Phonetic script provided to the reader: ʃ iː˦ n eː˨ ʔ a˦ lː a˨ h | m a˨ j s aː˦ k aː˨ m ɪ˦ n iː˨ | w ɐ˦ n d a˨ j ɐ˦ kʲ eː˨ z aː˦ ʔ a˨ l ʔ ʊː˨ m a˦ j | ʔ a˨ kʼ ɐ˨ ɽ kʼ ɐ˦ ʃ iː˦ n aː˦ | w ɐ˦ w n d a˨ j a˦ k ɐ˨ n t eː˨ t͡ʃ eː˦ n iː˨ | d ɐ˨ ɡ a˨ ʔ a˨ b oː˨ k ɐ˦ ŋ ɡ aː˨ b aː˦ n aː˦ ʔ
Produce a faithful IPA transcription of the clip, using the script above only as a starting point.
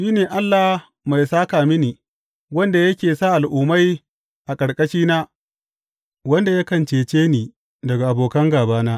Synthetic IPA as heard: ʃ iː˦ n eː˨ ʔ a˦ lː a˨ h | m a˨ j s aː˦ k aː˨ m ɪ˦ n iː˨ | w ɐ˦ n d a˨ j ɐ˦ kʲ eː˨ s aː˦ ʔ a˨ l ʔ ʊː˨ m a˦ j | ʔ a˨ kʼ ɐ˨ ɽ kʼ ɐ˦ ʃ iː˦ n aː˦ | w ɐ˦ n d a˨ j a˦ k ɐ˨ n t͡ʃ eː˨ t͡ʃ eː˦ n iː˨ | d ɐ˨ ɡ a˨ ʔ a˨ b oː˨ k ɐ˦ ŋ ɡ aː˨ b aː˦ n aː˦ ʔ